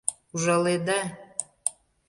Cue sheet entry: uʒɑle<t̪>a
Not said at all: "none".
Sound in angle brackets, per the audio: d̪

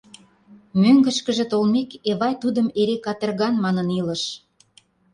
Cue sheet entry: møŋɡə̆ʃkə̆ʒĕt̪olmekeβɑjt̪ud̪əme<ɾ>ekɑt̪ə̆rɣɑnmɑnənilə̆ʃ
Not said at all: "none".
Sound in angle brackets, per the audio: ɾ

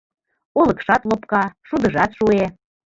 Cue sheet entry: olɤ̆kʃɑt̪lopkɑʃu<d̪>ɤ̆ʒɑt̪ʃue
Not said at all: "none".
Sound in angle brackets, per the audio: d̪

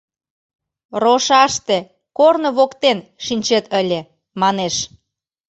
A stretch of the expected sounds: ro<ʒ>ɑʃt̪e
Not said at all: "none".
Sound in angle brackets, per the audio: ʃ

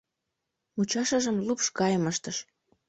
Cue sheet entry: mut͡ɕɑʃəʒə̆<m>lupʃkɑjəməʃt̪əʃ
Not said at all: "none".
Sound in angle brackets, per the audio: m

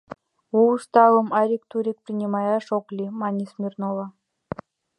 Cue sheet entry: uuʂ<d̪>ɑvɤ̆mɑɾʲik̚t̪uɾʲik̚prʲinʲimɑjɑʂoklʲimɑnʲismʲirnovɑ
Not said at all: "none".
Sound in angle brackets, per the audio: t̪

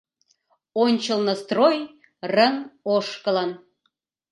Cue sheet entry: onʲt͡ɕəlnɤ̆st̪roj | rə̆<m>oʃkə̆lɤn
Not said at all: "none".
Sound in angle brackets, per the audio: ŋ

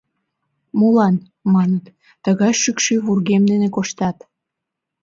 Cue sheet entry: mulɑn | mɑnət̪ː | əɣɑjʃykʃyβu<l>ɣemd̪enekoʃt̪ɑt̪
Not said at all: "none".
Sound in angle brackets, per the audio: r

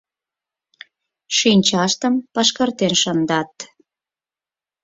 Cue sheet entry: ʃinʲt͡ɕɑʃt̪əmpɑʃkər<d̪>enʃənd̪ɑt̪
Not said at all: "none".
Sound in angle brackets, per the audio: t̪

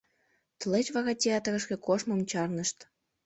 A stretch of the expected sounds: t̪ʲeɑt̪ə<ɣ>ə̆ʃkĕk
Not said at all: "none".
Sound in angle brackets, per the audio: ɣ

